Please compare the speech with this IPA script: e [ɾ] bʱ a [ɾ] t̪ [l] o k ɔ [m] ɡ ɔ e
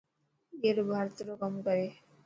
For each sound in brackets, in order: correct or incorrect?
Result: correct, correct, incorrect: ɾ, correct

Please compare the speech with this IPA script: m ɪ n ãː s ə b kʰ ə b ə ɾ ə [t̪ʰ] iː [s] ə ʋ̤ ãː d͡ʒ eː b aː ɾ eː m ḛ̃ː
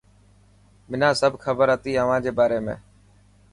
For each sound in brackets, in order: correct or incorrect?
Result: incorrect: t̪, incorrect: none

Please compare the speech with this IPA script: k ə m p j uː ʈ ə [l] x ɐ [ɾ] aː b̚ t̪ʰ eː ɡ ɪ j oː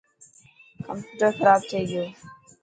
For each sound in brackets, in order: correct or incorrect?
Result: incorrect: ɾ, correct

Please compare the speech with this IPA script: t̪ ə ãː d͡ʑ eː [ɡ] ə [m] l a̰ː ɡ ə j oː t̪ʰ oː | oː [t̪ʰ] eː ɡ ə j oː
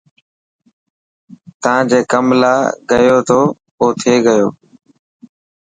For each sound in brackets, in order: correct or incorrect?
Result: incorrect: k, correct, correct

